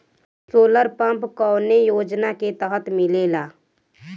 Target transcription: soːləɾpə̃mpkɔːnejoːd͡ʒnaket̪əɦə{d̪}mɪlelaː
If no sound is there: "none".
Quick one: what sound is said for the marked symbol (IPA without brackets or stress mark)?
t̪